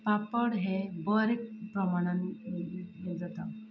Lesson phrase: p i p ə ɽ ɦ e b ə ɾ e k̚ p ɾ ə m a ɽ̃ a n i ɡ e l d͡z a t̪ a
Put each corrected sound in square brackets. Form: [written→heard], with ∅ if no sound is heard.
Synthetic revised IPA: p [i→a] p ə ɽ ɦ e b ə ɾ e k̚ p ɾ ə m a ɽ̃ a n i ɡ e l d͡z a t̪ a